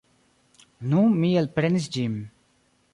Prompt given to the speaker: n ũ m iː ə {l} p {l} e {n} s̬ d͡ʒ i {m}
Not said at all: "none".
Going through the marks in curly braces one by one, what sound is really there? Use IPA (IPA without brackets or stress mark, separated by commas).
l, ɾ, n, m